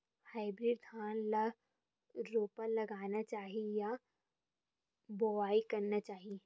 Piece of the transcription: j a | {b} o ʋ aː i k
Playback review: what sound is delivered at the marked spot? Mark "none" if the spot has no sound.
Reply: b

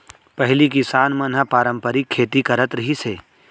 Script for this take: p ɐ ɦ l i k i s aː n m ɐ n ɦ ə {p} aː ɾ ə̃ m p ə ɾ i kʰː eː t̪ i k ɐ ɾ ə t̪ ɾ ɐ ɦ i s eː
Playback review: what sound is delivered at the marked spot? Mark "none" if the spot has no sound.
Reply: p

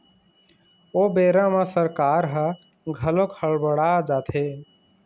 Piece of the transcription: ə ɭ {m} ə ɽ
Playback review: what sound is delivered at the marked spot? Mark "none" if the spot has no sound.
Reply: b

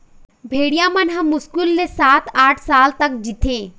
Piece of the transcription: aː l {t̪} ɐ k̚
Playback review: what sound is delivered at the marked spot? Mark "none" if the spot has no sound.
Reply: t̪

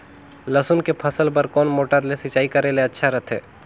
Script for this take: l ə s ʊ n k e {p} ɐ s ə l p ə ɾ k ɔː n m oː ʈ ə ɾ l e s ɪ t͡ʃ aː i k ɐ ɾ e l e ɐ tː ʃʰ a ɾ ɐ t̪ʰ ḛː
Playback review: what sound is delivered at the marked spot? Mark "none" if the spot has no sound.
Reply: pʰ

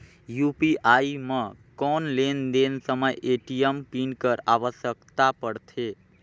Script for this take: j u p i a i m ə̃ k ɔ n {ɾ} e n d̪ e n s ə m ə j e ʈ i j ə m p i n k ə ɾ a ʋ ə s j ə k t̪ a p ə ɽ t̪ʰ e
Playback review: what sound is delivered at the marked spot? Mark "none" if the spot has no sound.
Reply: l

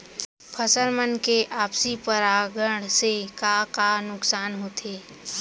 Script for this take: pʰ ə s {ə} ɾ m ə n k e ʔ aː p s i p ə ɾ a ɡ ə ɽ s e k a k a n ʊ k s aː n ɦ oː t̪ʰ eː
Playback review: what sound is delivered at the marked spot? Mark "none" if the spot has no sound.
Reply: ə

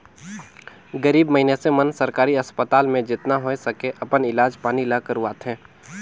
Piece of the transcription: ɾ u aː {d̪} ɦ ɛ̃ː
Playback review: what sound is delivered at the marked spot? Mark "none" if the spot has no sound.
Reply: t̪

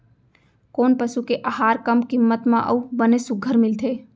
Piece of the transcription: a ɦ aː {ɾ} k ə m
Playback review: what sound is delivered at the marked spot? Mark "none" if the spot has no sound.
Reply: ɾ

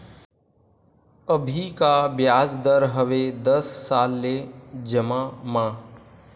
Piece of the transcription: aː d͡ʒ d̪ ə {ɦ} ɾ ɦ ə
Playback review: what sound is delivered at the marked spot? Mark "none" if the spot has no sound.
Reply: none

